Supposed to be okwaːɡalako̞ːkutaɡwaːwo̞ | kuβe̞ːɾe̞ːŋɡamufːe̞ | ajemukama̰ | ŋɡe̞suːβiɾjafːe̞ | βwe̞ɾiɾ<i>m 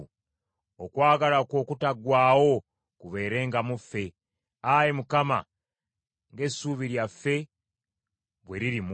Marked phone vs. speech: correct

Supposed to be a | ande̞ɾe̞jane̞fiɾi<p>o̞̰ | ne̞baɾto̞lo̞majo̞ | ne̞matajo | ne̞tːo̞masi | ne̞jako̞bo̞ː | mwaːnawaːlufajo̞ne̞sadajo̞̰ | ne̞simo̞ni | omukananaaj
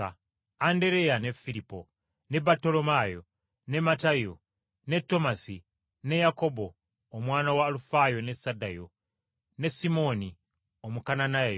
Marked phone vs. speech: correct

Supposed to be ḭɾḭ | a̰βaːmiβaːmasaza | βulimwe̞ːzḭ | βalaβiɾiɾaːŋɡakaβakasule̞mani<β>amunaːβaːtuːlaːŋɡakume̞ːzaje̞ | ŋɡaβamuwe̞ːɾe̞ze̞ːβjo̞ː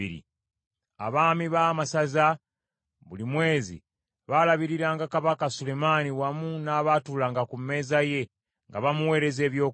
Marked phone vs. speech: incorrect: w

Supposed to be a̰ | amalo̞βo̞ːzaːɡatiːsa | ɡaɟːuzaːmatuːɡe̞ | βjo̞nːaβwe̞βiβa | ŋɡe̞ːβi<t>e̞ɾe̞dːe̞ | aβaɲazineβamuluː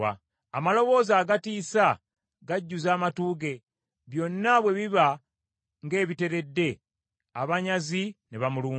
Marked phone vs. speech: correct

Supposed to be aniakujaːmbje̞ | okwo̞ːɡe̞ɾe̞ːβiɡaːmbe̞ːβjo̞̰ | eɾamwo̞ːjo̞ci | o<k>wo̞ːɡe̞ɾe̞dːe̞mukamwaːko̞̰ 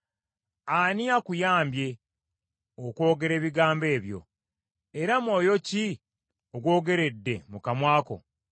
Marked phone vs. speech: incorrect: ɡ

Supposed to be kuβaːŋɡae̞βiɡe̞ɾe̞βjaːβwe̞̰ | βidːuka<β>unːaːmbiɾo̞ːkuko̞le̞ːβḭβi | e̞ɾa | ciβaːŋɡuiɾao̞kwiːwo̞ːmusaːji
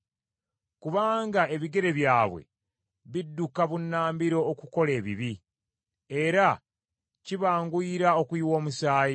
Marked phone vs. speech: correct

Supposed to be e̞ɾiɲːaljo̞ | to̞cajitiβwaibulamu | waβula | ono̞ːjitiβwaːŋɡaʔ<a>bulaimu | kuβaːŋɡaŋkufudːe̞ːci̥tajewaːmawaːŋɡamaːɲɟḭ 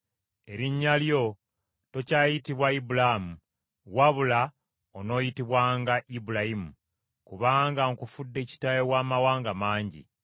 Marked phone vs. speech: incorrect: i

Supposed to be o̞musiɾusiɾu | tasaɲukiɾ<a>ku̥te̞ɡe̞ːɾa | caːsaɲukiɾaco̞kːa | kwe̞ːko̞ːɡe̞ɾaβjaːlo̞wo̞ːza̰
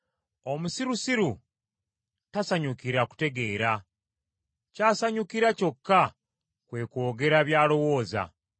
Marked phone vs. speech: correct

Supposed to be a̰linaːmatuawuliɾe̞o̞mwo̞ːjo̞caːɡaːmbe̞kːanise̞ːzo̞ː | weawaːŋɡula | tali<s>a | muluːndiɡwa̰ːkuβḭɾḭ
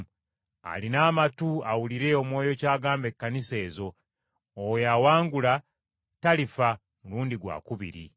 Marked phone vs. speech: incorrect: f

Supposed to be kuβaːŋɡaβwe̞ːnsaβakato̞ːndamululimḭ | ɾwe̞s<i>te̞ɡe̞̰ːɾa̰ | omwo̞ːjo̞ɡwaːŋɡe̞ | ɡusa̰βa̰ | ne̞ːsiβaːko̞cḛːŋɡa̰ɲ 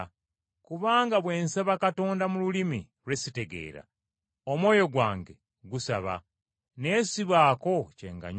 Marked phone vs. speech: correct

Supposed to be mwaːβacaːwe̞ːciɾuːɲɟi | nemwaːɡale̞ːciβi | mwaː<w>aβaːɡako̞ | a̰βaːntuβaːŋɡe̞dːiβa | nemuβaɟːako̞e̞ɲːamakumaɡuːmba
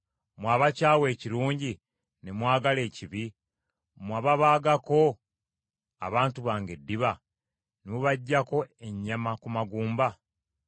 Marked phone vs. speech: incorrect: β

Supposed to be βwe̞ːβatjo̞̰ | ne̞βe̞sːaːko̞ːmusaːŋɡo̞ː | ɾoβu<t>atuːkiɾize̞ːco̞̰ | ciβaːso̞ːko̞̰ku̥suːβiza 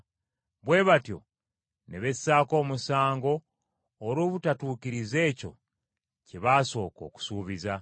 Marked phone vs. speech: correct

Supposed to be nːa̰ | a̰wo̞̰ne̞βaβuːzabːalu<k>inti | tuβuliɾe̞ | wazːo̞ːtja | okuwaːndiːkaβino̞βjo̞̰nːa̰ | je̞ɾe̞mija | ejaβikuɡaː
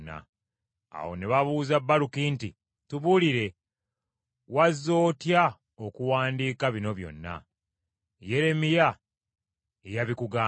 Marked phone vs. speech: correct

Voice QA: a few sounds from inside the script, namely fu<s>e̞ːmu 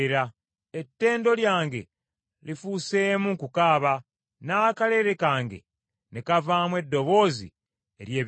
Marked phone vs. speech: correct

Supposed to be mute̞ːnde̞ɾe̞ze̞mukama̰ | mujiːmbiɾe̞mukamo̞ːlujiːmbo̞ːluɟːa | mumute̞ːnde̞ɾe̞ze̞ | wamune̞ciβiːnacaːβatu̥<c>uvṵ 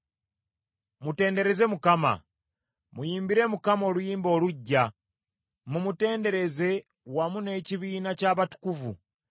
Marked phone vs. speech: incorrect: k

